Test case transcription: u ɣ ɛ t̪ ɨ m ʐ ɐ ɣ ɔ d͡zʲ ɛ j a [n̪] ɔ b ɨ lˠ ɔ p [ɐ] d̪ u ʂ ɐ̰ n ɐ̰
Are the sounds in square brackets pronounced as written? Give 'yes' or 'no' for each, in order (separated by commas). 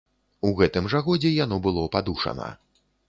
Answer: yes, no